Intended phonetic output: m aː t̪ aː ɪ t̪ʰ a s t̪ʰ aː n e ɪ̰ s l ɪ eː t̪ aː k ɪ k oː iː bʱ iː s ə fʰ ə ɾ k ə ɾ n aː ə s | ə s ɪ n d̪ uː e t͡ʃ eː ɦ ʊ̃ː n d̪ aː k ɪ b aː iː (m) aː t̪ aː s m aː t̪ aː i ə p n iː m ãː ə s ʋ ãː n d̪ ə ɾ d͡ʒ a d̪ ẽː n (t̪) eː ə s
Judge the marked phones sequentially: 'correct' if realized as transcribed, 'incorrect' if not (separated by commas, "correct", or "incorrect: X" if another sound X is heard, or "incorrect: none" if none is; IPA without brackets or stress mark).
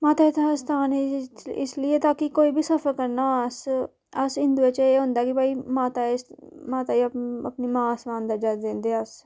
correct, incorrect: d̪